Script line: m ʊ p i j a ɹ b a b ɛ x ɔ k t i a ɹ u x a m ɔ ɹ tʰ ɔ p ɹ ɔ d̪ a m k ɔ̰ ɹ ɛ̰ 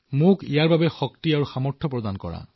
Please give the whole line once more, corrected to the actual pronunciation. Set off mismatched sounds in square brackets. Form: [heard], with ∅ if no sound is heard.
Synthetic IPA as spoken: m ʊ [k] i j a ɹ b a b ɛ x ɔ k t i a ɹ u x a m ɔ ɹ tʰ ɔ p ɹ ɔ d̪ a [n] k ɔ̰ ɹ [a̰]